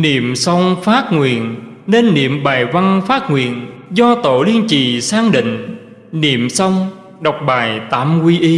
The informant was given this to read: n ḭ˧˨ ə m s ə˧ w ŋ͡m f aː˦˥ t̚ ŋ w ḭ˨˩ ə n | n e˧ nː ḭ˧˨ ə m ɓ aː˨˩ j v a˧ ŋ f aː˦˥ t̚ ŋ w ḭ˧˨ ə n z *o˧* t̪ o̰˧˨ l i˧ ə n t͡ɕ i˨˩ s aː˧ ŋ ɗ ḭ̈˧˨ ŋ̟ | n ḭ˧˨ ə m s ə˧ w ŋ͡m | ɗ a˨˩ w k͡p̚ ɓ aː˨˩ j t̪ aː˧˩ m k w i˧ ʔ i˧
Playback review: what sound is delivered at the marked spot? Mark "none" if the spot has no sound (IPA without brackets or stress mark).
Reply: ɔ˧